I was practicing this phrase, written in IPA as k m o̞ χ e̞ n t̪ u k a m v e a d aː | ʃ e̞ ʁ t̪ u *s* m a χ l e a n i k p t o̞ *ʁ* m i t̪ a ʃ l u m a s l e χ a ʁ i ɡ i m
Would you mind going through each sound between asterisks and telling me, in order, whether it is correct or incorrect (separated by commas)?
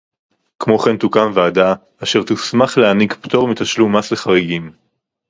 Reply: correct, correct